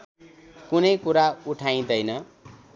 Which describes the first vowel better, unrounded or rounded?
rounded